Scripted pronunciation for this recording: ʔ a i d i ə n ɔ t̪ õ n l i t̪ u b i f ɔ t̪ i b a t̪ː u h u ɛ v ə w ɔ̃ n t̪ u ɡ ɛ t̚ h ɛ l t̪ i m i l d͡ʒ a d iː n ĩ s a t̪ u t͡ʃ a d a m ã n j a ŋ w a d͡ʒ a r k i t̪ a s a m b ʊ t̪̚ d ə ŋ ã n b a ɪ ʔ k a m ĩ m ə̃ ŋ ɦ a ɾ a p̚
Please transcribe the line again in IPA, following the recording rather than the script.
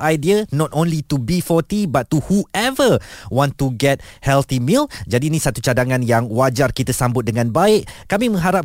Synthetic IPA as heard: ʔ a j d i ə n ɔ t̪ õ n l i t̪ u b i f ɔ t̪ i b a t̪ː u h u ɛ v ə w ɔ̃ n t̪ u ɡ ɛ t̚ h ɛ l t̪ i m i l d͡ʒ a d iː n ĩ s a t̪ u t͡ʃ a d a ŋ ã n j a ŋ w a d͡ʒ a r k i t̪ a s a m b ʊ t̪̚ d ə ŋ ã n b a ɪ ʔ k a m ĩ m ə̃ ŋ ɦ a ɾ a p̚